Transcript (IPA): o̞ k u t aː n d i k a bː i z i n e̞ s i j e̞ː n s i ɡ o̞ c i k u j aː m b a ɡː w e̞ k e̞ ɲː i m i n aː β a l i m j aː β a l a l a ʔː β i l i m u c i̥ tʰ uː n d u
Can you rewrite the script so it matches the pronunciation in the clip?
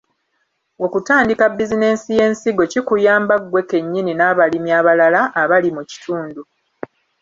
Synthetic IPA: o̞ k u t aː n d i k a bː i z i n e̞ s i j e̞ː n s i ɡ o̞ c i k u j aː m b a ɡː w e̞ k e̞ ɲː i n i n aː β a l i m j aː β a l a l a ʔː β a l i m u c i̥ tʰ uː n d u